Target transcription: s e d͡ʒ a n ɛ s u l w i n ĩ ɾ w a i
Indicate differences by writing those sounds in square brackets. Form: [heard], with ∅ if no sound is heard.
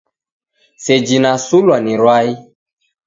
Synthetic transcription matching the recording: s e d͡ʒ [i] n [a] s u l w [a] n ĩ ɾ w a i